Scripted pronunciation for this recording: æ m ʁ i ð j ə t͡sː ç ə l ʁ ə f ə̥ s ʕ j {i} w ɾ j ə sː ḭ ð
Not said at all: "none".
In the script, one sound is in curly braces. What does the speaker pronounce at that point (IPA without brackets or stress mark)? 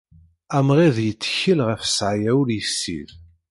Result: æ